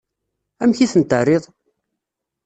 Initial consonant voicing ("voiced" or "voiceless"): voiced